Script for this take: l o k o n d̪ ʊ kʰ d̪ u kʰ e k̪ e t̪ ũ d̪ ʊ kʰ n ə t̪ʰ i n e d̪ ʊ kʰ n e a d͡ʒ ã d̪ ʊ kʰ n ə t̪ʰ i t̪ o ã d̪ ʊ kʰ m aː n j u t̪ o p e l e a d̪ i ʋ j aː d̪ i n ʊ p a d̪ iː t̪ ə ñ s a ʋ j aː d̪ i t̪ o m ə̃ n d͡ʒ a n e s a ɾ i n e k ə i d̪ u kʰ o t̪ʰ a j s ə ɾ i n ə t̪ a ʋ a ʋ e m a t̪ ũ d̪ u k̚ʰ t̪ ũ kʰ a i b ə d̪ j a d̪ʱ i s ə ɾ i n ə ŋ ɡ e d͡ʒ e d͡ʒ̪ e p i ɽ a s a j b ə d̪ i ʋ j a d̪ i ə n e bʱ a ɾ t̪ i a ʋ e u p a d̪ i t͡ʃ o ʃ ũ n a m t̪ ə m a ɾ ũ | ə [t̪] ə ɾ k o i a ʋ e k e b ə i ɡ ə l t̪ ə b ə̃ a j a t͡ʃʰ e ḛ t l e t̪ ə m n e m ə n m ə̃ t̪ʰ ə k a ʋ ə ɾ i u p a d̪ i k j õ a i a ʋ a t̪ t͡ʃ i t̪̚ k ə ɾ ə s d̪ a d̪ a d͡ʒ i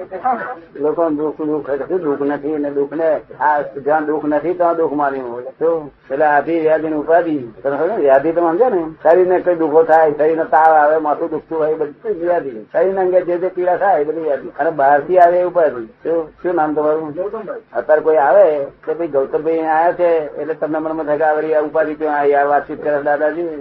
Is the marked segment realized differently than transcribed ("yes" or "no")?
no